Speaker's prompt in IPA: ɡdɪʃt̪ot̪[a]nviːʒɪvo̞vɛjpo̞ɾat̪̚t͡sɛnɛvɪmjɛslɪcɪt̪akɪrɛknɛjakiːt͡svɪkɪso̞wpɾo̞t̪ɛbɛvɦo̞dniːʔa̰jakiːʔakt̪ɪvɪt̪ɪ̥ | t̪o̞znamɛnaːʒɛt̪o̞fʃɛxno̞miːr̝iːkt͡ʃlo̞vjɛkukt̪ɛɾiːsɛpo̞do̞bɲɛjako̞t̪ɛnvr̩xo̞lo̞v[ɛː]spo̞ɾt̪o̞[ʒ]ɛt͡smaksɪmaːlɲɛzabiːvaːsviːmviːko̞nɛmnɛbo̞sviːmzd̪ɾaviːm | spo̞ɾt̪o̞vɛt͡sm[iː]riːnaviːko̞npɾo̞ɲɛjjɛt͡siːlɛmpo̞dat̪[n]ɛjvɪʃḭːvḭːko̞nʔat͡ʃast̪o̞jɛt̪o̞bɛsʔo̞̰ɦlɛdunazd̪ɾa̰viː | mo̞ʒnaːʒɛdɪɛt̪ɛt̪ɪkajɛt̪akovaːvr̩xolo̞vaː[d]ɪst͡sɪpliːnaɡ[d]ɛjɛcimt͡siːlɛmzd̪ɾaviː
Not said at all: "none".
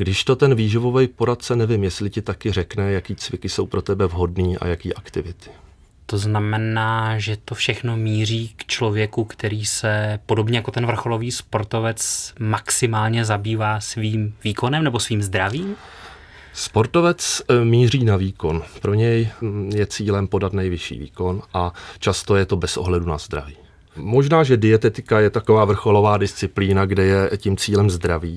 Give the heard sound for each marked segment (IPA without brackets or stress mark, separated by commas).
ɛ, iː, v, iː, n, d, d